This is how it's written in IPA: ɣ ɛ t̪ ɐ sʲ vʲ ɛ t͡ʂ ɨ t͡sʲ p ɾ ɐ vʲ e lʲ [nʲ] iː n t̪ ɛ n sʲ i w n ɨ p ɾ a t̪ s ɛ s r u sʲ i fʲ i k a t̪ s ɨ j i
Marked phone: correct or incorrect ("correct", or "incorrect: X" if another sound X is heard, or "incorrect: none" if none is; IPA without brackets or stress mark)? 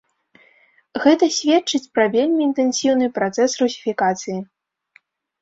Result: incorrect: mʲ